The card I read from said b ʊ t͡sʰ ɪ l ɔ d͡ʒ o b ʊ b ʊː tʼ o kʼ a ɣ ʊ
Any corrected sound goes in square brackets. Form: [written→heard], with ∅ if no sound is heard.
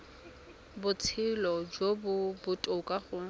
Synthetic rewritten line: b ʊ t͡sʰ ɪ l ɔ d͡ʒ o b ʊ b [ʊː→ʊ] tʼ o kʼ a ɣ ʊ